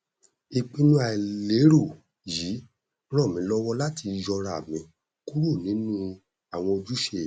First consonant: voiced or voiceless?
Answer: voiceless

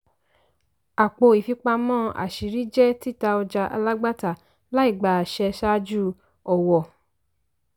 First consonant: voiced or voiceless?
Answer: voiceless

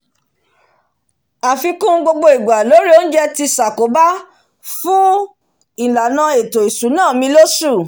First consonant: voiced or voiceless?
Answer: voiceless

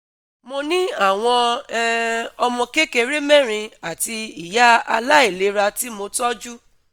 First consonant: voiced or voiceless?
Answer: voiced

